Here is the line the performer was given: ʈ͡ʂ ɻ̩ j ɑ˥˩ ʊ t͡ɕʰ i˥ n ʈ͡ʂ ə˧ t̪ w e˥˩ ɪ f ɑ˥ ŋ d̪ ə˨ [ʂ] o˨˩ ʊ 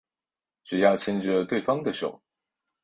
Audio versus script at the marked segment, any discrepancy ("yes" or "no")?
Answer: no